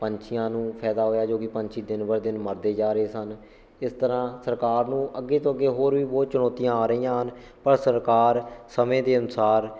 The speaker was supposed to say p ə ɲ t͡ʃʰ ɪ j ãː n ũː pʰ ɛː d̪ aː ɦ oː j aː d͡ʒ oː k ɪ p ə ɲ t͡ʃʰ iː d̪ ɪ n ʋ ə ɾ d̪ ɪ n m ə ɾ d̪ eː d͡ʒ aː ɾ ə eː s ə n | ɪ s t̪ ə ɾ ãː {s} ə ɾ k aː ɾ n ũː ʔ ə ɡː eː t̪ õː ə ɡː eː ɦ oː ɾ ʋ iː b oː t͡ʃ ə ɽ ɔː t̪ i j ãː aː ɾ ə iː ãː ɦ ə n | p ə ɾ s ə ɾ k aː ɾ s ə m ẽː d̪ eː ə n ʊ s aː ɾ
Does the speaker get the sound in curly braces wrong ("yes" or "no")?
no